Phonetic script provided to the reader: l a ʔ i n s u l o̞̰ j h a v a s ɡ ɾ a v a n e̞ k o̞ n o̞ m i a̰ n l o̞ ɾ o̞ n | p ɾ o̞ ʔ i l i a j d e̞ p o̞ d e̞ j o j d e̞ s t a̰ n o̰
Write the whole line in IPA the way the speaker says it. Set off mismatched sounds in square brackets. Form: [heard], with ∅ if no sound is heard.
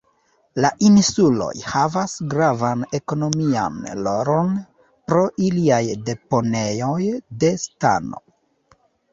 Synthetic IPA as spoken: l a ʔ i n s u l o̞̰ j h a v a s ɡ ɾ a v a n e̞ k o̞ n o̞ m i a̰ n l o̞ ɾ o̞ n | p ɾ o̞ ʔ i l i a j d e̞ p o̞ [n] e̞ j o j d e̞ s t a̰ n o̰